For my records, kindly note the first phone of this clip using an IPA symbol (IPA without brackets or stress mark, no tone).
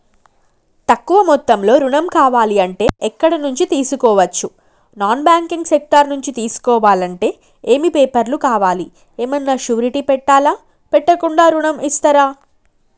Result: t̪